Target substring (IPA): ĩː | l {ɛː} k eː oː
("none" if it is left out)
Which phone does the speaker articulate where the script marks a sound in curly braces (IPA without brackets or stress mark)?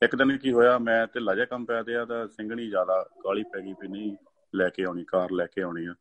ɛː